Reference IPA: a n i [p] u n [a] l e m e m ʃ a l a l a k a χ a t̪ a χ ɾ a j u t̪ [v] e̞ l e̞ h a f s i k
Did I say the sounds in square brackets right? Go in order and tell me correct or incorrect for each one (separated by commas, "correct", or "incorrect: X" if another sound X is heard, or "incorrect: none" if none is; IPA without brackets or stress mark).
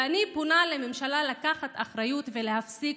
correct, correct, correct